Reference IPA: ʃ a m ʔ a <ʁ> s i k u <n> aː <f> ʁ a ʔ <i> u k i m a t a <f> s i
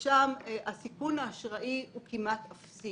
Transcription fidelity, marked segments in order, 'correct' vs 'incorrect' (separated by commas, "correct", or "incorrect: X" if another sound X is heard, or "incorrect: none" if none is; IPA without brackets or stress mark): incorrect: none, correct, incorrect: ʃ, correct, correct